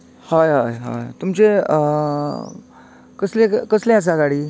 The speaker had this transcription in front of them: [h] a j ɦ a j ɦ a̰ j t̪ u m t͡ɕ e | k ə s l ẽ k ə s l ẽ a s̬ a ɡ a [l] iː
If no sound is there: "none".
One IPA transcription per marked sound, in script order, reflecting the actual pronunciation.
h, ɽ

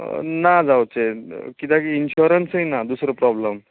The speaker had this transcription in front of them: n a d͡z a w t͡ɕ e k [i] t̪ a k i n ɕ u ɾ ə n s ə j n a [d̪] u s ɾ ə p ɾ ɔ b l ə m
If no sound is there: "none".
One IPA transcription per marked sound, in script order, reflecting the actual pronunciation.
i, d̪

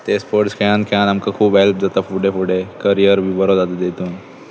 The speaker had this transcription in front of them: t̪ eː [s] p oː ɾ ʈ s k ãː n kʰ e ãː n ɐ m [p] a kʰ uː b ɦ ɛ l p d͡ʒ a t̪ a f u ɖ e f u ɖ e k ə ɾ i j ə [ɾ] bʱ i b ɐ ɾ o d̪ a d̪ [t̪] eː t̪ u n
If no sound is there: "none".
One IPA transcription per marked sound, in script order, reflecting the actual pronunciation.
s, k, ɾ, d̪

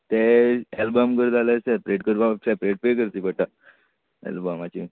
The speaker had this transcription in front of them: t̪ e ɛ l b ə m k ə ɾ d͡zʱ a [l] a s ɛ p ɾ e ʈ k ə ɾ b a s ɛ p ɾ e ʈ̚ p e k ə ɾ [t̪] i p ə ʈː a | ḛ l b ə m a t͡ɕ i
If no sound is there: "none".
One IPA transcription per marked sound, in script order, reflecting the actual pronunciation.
l, t̪

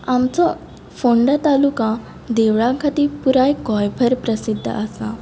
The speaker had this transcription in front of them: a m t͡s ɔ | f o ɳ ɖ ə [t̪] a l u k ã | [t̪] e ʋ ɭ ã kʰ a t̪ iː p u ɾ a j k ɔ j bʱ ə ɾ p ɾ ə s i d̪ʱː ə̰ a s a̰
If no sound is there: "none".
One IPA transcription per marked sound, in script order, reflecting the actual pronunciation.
t̪, d̪

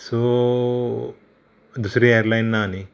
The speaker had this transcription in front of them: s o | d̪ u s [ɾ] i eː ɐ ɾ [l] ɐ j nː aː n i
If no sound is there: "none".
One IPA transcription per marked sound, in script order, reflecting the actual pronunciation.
ɾ, l

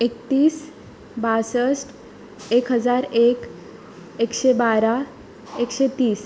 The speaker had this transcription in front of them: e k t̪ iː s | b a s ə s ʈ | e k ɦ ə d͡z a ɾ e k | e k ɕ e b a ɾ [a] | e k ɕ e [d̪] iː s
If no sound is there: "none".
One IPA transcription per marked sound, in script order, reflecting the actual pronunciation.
a, t̪

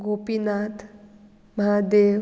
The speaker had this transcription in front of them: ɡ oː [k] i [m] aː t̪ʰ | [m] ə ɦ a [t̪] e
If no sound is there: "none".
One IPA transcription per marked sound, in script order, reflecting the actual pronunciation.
p, n, m, d̪

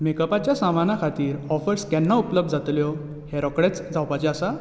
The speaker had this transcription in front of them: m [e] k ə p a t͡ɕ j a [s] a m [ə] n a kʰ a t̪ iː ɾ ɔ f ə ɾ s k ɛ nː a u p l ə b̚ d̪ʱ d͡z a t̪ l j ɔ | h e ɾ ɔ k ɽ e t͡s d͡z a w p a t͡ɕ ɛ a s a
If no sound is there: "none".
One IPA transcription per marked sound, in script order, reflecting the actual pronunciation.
e, s, a

